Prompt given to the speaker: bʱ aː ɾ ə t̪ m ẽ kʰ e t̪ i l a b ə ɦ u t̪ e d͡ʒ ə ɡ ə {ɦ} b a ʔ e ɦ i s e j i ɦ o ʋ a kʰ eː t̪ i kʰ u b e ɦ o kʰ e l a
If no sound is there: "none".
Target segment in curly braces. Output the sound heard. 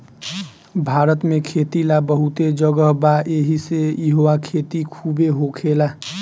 ɦ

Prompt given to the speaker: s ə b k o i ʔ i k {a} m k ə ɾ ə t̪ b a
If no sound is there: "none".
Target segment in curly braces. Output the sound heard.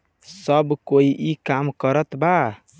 a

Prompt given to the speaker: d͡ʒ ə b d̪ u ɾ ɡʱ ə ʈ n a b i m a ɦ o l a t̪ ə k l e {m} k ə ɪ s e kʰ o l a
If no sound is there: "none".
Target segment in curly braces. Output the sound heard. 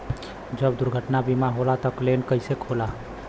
n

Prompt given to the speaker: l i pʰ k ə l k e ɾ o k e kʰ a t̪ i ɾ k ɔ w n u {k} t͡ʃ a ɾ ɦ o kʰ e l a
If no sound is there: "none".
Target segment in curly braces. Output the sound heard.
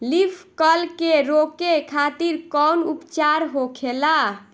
p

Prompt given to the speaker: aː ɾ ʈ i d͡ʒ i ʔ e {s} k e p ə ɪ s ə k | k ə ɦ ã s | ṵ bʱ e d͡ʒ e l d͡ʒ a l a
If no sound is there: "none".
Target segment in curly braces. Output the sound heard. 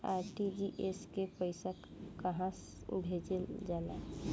s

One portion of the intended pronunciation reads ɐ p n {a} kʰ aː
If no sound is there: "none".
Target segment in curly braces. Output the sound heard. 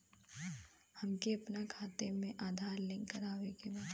a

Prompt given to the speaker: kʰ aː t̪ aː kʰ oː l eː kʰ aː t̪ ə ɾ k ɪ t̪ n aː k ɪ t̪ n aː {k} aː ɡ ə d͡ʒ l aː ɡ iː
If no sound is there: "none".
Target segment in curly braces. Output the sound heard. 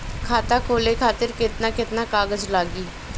k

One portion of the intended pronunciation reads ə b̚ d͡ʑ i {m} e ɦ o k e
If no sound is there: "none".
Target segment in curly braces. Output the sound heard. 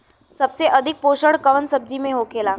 m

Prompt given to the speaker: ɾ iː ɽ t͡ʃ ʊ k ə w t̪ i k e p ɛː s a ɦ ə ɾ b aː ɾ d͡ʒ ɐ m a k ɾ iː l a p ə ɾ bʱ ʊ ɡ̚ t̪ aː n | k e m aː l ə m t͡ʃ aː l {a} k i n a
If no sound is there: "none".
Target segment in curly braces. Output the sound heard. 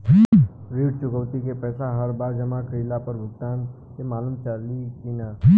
i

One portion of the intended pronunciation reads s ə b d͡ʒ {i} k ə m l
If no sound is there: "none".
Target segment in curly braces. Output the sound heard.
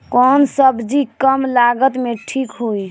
i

